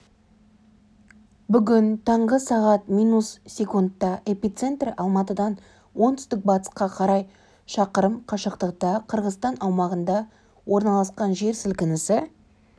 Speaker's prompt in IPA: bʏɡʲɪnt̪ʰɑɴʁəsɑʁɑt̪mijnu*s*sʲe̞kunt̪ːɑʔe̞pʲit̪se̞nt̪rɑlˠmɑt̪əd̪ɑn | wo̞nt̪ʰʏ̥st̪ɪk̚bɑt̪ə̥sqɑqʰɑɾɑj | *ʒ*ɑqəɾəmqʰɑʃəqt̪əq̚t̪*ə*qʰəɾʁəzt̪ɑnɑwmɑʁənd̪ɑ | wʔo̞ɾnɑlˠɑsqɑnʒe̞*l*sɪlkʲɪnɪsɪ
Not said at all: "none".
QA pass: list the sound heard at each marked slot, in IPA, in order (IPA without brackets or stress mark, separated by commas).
s, ʃ, ɑ, ɾ